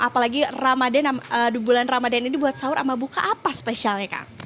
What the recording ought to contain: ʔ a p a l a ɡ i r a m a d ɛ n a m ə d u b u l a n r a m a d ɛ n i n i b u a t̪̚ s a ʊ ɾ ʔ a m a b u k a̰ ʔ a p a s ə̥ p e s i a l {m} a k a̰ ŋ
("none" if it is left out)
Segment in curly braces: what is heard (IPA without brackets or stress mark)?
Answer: ɲ